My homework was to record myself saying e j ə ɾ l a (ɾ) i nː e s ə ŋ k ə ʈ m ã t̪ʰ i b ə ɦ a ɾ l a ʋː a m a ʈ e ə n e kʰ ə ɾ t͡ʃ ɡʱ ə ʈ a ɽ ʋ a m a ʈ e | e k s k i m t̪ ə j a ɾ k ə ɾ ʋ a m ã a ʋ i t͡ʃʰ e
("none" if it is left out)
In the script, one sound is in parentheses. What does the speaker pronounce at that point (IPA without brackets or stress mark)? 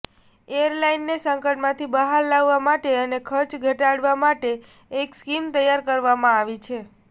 none